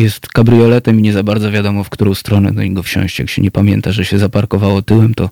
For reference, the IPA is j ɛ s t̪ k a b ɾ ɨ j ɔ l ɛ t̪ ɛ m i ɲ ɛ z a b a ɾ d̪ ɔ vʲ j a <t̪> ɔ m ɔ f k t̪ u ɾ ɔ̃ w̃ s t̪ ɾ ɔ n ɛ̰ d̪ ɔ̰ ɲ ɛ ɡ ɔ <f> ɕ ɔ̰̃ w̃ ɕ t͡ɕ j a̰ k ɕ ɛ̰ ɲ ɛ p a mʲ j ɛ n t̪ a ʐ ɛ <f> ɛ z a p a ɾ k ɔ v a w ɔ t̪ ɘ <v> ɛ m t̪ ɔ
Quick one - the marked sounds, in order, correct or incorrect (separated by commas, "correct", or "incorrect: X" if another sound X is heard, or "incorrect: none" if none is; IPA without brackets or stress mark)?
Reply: incorrect: d̪, correct, incorrect: ɕ, incorrect: w